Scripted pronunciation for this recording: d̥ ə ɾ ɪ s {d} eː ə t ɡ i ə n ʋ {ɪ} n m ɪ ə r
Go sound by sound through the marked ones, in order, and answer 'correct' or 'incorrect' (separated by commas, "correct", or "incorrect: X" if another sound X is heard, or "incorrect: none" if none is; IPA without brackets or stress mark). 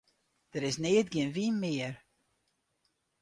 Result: incorrect: n, incorrect: i